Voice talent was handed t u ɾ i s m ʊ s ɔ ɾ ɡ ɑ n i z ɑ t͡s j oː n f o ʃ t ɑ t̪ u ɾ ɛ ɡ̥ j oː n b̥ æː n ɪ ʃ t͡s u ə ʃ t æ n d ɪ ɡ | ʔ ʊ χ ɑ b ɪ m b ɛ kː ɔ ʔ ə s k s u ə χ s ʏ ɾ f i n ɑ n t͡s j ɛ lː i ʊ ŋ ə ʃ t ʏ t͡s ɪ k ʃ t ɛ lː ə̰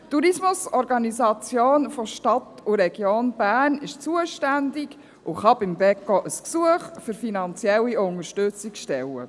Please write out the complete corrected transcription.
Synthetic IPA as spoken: t u ɾ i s m ʊ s ɔ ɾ ɡ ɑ n i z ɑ t͡s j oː n f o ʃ t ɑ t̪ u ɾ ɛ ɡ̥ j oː n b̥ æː n ɪ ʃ t͡s u ə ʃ t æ n d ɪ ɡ | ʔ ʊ χ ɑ b ɪ m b ɛ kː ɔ ʔ ə s k s u ə χ f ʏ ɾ f i n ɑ n t͡s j ɛ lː i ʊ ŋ ə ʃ t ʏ t͡s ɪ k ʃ t ɛ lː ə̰